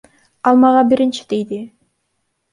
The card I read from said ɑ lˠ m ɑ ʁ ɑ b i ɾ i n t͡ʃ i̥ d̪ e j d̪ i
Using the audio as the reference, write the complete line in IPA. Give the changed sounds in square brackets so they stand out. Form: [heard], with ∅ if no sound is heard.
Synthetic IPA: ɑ lˠ m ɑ ʁ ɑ b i ɾ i n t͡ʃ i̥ d̪ e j d̪ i

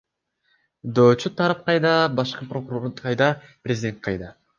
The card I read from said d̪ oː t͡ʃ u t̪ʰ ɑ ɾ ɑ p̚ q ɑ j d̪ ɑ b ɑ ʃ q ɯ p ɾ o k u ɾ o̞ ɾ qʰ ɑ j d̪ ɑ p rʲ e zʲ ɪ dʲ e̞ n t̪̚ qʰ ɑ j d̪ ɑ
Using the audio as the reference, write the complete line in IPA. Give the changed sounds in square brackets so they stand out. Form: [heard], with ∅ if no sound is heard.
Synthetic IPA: d̪ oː t͡ʃ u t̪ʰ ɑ ɾ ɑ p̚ q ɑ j d̪ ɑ b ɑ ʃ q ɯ p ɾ o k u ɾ o̞ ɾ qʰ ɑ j d̪ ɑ p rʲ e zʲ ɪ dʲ e̞ n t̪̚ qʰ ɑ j d̪ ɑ

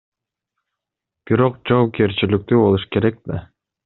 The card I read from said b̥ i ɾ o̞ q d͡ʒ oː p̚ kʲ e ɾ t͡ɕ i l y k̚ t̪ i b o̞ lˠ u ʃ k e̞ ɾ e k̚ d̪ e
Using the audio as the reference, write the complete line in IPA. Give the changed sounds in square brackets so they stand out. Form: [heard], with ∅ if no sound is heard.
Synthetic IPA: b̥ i ɾ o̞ q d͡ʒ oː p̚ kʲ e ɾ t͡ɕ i l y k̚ t̪ [y] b o̞ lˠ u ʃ k e̞ ɾ e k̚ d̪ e

